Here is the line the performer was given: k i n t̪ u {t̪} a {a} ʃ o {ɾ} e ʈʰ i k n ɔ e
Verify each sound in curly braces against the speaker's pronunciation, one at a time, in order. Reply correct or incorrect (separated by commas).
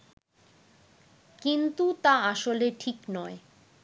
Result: correct, correct, incorrect